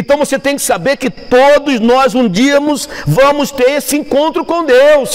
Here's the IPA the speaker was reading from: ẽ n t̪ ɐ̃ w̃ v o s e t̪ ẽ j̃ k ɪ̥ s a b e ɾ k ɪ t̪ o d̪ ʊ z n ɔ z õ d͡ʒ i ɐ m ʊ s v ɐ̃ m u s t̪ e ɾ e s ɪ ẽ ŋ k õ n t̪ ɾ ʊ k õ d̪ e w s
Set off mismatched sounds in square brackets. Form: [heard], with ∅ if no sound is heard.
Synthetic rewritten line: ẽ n t̪ ɐ̃ w̃ v o s e t̪ ẽ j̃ k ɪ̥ s a b e ɾ k ɪ t̪ o d̪ ʊ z n ɔ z [ũ] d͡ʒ i ɐ m ʊ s v ɐ̃ m [ʊ] s t̪ e ɾ e s ɪ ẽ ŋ k õ n t̪ ɾ ʊ k õ d̪ e w s